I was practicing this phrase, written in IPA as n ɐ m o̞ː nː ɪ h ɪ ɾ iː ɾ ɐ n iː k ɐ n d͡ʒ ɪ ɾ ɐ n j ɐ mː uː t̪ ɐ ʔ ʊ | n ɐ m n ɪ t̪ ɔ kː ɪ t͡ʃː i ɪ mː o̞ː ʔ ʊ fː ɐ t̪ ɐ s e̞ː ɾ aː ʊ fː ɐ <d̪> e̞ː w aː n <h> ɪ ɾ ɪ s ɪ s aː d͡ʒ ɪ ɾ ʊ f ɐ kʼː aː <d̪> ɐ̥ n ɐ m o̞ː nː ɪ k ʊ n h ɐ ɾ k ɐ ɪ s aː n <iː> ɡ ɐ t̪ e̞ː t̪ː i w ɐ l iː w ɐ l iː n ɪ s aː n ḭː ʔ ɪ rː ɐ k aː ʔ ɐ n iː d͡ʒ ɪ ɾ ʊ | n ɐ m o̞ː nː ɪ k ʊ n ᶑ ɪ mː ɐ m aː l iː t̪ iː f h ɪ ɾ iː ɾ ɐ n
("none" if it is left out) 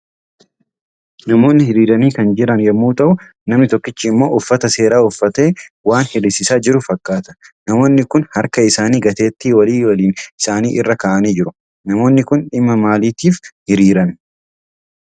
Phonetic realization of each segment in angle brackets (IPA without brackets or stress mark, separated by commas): t̪, h, t̪, iː